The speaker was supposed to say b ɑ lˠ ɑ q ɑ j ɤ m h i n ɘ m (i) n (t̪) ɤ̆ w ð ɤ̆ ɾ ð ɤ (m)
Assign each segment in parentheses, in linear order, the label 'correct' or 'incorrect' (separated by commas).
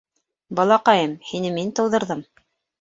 correct, correct, correct